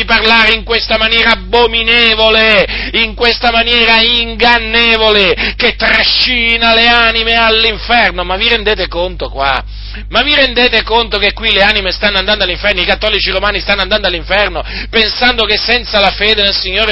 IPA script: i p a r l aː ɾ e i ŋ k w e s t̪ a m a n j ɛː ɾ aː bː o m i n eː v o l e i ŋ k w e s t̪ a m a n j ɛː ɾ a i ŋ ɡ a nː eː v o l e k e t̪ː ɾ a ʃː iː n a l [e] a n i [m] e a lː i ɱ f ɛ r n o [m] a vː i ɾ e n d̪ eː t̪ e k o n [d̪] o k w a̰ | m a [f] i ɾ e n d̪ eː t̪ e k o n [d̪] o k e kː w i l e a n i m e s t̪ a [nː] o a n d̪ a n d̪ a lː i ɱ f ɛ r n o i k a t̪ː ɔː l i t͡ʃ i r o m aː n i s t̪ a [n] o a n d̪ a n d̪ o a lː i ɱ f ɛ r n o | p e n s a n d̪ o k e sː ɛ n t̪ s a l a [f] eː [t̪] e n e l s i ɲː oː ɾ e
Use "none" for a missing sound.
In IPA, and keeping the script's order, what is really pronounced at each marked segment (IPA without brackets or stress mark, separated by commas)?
e, m, m, t̪, v, t̪, nː, nː, f, d̪